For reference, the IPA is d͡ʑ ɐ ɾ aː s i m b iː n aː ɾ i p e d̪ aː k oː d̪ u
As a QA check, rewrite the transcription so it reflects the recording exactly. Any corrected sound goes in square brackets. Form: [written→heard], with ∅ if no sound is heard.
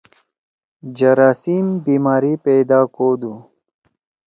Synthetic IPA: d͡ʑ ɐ ɾ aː s i m b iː [n→m] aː ɾ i p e d̪ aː k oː d̪ u